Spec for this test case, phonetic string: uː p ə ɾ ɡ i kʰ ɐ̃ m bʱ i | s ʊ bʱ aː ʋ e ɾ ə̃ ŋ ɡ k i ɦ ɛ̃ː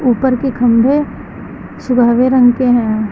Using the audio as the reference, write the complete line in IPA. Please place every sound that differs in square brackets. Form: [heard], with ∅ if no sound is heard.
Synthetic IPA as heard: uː p ə ɾ [k] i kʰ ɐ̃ m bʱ [e] | s ʊ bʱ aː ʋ e ɾ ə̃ ŋ ɡ k [e] ɦ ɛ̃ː